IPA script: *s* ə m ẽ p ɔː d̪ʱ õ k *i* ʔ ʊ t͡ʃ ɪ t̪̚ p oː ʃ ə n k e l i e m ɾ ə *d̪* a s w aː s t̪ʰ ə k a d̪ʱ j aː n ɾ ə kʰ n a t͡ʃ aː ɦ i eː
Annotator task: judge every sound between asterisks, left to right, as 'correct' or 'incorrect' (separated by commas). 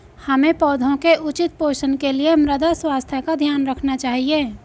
incorrect, incorrect, correct